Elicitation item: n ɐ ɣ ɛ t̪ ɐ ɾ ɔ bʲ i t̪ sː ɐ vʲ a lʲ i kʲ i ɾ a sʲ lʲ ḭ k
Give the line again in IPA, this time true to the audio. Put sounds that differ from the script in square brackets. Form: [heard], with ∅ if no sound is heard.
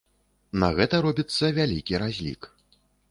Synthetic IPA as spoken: n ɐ ɣ ɛ t̪ ɐ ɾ ɔ bʲ i t̪ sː ɐ vʲ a lʲ i kʲ i ɾ a [zʲ] lʲ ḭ k